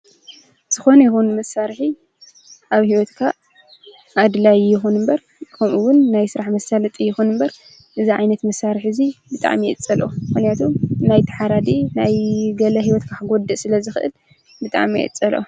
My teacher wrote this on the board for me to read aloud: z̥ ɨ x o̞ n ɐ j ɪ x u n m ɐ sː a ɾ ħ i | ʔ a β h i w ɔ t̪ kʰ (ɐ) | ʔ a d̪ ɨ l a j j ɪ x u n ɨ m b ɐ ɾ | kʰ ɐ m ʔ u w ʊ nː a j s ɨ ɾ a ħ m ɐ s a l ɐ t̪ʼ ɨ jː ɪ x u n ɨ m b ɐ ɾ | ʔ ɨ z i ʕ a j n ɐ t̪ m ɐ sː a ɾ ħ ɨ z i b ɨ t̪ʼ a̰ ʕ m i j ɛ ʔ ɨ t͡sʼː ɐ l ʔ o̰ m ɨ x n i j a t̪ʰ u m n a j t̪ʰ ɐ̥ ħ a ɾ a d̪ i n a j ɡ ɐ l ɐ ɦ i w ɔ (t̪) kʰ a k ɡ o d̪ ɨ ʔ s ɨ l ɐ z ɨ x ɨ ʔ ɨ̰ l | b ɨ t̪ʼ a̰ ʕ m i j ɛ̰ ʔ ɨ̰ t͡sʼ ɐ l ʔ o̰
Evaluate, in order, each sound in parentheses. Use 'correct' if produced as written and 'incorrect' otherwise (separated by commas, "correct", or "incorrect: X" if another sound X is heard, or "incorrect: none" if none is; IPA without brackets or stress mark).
incorrect: a, correct